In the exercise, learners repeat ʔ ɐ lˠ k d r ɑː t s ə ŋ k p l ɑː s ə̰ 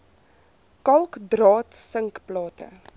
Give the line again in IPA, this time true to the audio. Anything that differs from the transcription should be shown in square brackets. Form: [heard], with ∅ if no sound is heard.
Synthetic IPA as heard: [k] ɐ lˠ k d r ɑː t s ə ŋ k p l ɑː [t] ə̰